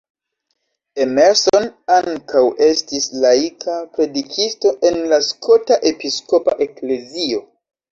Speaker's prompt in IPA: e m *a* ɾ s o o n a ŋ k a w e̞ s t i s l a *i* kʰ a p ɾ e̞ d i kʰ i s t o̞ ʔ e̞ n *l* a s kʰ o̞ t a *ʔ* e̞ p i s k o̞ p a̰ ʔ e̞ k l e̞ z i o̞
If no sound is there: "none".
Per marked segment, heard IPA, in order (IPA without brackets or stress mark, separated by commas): e, i, l, ʔ